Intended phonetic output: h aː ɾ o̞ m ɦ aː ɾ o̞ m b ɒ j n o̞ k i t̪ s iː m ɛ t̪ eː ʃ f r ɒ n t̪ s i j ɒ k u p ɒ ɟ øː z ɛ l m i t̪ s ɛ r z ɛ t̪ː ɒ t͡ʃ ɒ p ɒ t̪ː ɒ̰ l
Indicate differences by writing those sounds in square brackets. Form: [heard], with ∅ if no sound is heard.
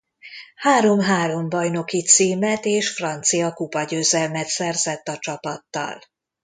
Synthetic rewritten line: h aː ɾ o̞ m ɦ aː ɾ o̞ m b ɒ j n o̞ k i t̪ s iː m ɛ t̪ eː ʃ f r ɒ n t̪ s i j ɒ k u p ɒ ɟ øː z ɛ l m [ɛ] t̪ s ɛ r z ɛ t̪ː ɒ t͡ʃ ɒ p ɒ t̪ː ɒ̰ l